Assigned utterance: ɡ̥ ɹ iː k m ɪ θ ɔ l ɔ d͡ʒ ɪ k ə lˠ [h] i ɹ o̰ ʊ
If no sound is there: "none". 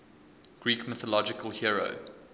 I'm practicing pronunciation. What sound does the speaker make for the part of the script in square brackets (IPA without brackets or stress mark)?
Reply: h